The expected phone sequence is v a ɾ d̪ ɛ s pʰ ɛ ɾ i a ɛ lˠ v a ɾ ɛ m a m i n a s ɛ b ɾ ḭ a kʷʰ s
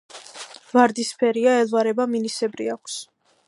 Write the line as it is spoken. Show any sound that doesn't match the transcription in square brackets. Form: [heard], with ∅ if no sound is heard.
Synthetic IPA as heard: v a ɾ d̪ [i] s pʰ ɛ ɾ i a ɛ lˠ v a ɾ ɛ [b] a m i n [i] s ɛ b ɾ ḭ a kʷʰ s

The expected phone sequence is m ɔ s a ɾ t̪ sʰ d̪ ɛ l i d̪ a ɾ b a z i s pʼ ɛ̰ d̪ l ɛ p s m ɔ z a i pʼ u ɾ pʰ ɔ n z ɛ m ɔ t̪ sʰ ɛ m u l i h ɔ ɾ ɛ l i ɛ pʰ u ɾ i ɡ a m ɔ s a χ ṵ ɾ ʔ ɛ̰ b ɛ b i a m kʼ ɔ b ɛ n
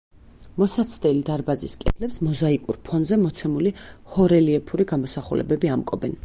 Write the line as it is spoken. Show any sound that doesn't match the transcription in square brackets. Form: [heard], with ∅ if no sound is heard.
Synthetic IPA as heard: m ɔ s a [∅] t̪ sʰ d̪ ɛ l i d̪ a ɾ b a z i s [kʼ] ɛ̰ d̪ l ɛ p s m ɔ z a i [kʼ] u ɾ pʰ ɔ n z ɛ m ɔ t̪ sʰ ɛ m u l i h ɔ ɾ ɛ l i ɛ pʰ u ɾ i ɡ a m ɔ s a χ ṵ [l] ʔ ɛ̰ b ɛ b i a m kʼ ɔ b ɛ n

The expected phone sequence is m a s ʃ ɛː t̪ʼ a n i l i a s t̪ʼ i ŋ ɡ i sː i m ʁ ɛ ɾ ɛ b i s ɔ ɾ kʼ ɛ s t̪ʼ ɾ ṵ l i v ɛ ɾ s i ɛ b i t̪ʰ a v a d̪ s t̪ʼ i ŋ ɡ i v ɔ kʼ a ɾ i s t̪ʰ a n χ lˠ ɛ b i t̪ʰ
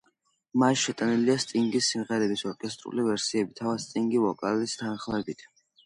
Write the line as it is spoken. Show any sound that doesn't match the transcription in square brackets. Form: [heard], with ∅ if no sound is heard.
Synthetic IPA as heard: m a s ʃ [ɛ] t̪ʼ a n i l i a s t̪ʼ i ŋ ɡ i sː i m ʁ ɛ ɾ ɛ b i s ɔ ɾ kʼ ɛ s t̪ʼ ɾ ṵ l i v ɛ ɾ s i ɛ b i t̪ʰ a v a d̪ s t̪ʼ i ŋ ɡ i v ɔ kʼ a [l] i s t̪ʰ a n χ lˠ ɛ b i t̪ʰ

